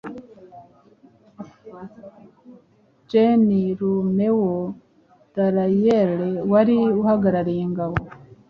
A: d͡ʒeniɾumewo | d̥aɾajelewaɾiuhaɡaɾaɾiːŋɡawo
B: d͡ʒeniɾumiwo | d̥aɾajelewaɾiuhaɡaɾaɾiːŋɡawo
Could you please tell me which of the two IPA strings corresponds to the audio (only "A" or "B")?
A